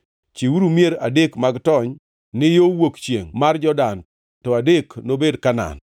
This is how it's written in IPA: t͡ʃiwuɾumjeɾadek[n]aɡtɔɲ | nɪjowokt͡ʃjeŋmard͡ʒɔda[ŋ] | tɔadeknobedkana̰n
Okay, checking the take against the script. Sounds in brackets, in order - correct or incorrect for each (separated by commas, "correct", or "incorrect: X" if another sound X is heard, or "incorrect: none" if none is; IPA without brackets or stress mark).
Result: incorrect: m, incorrect: n